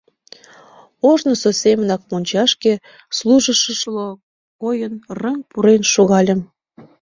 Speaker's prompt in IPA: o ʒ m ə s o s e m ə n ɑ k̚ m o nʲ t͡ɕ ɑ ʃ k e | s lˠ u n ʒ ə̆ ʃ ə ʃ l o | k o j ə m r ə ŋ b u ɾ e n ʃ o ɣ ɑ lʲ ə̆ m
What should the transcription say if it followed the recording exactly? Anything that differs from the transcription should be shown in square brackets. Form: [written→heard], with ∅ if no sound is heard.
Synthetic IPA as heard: o ʒ [m→n] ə s o s e m ə n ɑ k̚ m o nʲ t͡ɕ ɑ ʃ k e | s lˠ u [n→∅] ʒ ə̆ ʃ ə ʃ l o | k o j ə [m→n] r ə ŋ [b→p] u ɾ e n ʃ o ɣ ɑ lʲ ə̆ m

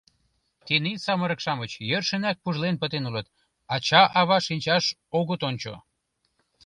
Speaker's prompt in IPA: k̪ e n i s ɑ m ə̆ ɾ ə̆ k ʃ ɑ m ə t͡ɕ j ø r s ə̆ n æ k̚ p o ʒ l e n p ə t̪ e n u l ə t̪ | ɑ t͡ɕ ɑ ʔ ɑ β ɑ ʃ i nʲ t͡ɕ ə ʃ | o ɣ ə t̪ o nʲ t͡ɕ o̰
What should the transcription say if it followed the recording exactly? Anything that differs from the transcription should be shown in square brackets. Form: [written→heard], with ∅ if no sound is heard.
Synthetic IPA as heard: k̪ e n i s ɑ m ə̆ ɾ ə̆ k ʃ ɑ m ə t͡ɕ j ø r [s→ʃ] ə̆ n æ k̚ p [o→u] ʒ l e n p ə t̪ e n u l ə t̪ | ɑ t͡ɕ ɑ ʔ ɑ β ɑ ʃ i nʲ t͡ɕ [ə→ɑ] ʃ | o ɣ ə t̪ o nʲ t͡ɕ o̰

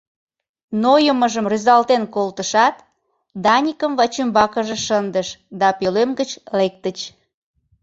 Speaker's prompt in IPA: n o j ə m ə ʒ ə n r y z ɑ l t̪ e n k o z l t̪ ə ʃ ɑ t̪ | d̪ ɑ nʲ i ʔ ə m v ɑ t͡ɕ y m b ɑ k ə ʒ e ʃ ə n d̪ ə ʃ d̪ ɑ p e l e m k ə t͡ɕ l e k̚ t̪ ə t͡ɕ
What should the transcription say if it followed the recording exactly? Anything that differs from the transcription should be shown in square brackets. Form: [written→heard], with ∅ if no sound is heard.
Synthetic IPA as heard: n o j ə m ə ʒ ə [n→m] r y z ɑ l t̪ e n k o [z→∅] l t̪ ə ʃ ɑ t̪ | d̪ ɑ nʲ i [ʔ→k] ə m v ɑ t͡ɕ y m b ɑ k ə ʒ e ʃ ə n d̪ ə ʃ d̪ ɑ p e l e m [k→ɡ] ə t͡ɕ l e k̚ t̪ ə t͡ɕ

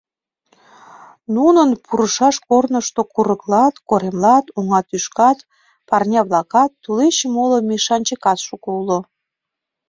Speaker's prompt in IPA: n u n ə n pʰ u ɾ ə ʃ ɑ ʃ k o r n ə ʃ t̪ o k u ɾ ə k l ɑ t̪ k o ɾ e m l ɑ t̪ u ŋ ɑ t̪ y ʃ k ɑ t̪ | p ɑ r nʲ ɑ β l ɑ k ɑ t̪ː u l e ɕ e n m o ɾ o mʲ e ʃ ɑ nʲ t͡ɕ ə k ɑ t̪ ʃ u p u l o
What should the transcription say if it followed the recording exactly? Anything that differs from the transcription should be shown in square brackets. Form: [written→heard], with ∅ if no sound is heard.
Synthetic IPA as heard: n u n ə n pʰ u ɾ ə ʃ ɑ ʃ k o r n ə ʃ t̪ o k u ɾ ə k l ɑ t̪ k o ɾ e m l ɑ t̪ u ŋ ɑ t̪ y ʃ k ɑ t̪ | p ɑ r nʲ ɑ β l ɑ k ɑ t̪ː u l e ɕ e [n→∅] m o [ɾ→l] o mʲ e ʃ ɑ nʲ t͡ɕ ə k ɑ t̪ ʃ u [p→k] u l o

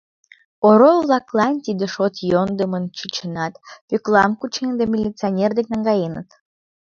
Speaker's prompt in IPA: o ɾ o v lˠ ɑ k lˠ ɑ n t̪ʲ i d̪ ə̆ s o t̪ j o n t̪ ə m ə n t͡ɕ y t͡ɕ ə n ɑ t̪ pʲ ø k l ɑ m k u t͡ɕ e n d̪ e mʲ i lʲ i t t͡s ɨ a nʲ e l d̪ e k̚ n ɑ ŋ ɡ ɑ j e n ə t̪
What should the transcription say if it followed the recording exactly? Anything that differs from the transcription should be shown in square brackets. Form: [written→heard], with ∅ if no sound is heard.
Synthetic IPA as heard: o ɾ o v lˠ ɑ k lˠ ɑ n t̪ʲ i d̪ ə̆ [s→ʃ] o t̪ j o n [t̪→d̪] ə m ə n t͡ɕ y t͡ɕ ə n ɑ t̪ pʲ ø k l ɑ m k u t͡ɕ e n d̪ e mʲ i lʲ i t t͡s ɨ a nʲ e [l→r] d̪ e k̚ n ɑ ŋ ɡ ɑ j e n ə t̪

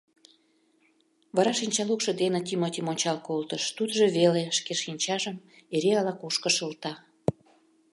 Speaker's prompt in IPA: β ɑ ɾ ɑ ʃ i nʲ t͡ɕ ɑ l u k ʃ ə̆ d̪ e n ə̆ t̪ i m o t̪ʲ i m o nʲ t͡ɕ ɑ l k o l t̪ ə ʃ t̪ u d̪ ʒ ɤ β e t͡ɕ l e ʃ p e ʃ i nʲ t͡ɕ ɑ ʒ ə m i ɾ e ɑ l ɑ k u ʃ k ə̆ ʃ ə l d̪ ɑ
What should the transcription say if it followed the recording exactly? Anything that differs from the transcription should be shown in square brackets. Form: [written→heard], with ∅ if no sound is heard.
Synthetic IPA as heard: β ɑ ɾ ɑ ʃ i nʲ t͡ɕ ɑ l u k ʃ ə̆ d̪ e n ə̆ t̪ i m o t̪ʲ i m o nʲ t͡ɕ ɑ l k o l t̪ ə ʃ t̪ u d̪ ʒ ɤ β e [t͡ɕ→∅] l e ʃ [p→k] e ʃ i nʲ t͡ɕ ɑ ʒ ə m [i→e] ɾ e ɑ l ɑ k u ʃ k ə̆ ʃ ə l [d̪→t̪] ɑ

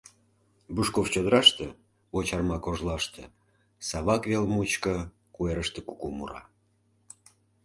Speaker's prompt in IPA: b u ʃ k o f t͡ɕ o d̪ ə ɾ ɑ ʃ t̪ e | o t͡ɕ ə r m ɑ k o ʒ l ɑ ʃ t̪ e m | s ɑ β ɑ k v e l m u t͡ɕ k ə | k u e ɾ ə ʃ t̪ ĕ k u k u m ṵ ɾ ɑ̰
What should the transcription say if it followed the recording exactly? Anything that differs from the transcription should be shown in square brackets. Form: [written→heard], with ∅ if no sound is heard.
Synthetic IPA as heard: b u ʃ k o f t͡ɕ o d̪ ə ɾ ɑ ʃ t̪ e | o t͡ɕ [ə→ɑ] r m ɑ k o ʒ l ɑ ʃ t̪ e [m→∅] | s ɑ β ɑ k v e l m u t͡ɕ k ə | k u e ɾ ə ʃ t̪ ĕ k u k u m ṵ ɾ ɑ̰

